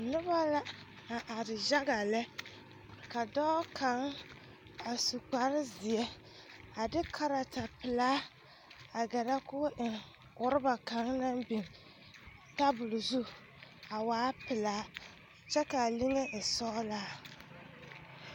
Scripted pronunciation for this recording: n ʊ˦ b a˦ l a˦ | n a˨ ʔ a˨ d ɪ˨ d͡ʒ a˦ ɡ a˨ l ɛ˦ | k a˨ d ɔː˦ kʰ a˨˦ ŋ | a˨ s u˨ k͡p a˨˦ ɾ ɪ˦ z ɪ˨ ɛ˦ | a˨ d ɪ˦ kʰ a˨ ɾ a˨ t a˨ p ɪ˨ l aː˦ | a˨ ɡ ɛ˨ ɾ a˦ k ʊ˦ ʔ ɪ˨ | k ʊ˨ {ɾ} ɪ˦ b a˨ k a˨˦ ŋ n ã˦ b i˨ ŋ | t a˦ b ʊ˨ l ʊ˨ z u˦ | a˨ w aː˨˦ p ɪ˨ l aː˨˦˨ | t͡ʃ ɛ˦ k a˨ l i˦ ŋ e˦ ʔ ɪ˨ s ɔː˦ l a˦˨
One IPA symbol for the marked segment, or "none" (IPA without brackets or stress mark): ɾ